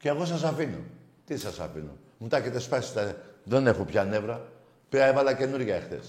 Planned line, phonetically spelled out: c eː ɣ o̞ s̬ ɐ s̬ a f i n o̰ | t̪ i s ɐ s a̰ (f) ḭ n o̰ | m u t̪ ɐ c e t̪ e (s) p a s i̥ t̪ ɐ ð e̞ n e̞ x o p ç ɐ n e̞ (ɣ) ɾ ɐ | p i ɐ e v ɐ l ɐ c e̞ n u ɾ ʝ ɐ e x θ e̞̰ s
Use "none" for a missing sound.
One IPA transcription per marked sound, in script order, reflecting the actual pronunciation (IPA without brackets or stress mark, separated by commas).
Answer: f, s, v